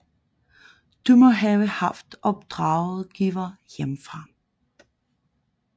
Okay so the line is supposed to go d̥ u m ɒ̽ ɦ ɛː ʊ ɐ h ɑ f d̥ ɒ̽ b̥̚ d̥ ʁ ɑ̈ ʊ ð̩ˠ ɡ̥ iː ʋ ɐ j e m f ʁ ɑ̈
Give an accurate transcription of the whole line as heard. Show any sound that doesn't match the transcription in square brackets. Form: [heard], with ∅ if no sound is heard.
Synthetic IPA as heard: d̥ u m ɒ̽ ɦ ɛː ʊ [ə] h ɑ f d̥ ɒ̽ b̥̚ d̥ ʁ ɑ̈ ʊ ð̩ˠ ɡ̥ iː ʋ ɐ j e m f ʁ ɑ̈